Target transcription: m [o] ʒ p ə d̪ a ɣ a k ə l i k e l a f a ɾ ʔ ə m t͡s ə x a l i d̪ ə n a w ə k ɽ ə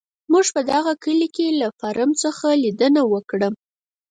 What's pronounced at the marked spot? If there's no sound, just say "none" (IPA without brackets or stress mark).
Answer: u